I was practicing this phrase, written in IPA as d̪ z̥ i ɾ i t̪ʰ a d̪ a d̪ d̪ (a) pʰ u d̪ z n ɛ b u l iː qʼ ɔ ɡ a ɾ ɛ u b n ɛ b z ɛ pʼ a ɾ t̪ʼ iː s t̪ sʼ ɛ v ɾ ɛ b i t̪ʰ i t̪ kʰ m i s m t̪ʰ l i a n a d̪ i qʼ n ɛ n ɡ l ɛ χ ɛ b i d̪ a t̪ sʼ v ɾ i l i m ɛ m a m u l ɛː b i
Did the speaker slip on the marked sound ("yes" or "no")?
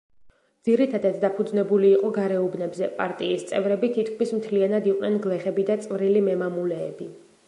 no